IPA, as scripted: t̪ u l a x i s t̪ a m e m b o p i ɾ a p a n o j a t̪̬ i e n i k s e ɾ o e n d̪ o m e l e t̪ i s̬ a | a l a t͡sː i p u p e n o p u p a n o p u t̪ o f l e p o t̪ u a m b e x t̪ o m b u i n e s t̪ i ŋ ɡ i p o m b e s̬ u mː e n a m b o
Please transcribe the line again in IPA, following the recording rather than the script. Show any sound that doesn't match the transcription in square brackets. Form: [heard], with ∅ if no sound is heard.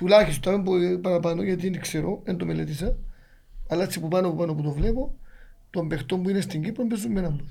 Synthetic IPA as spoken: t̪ u l a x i s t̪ a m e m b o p [a] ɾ a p a n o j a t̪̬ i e n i k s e ɾ o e n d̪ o m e l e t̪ i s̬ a | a l a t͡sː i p u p [a] n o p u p a n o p u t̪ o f l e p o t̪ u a m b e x t̪ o m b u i n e s t̪ i ŋ ɡ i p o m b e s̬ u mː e n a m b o